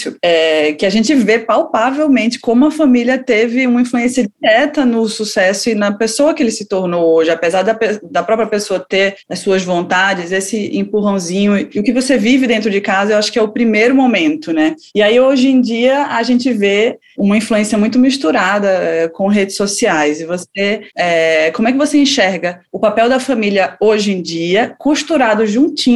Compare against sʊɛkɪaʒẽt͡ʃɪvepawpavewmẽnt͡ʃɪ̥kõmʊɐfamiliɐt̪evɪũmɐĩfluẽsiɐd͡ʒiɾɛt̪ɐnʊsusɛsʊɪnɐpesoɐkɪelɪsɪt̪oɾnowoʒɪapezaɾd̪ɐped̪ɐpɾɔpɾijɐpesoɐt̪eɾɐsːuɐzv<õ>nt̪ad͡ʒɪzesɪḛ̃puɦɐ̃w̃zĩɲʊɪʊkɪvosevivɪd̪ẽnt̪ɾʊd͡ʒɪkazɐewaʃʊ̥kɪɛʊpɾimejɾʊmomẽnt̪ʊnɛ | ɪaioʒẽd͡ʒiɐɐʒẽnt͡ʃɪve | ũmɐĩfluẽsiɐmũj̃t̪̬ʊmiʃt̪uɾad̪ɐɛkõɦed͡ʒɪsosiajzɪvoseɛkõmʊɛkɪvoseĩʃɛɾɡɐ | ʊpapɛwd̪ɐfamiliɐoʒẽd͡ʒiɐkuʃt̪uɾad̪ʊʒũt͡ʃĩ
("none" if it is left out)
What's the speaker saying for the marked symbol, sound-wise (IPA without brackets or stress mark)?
õ